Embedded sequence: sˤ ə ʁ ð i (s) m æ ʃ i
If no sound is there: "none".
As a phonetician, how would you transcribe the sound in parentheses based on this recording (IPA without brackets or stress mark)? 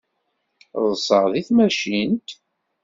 θ